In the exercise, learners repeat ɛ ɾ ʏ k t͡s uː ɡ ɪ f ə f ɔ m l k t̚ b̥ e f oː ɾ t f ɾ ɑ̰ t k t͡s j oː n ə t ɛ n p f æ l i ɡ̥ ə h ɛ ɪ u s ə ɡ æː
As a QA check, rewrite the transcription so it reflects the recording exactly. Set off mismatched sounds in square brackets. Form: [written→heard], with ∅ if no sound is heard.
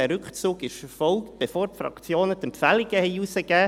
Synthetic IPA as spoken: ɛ ɾ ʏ k t͡s uː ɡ ɪ [f→ʃ] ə f ɔ [m→∅] l k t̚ b̥ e f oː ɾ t f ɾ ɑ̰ [t→∅] k t͡s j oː n ə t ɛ [n→m] p f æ l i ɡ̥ ə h ɛ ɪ u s ə ɡ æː